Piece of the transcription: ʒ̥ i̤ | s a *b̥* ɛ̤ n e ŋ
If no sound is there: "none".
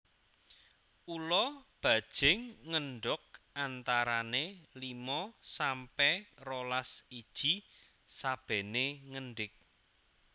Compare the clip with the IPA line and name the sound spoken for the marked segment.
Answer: b̥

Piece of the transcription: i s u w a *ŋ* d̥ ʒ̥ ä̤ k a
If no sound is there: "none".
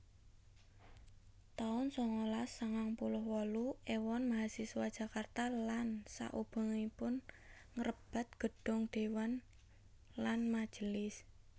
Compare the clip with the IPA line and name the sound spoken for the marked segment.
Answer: none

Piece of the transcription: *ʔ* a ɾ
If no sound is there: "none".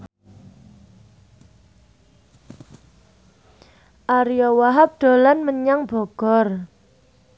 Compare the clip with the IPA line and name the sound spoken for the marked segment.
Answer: ʔ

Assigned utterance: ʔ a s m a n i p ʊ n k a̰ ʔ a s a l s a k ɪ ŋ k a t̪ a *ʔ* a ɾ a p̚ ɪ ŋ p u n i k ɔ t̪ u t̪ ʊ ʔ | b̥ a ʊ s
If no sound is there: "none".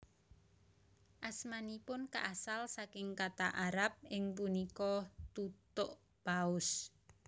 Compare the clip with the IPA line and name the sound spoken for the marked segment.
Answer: ʔ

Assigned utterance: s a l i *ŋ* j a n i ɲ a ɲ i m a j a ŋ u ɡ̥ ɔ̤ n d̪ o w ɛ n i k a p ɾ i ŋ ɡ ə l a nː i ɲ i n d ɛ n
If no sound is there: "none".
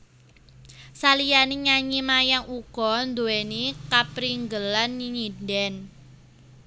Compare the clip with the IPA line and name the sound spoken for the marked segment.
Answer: none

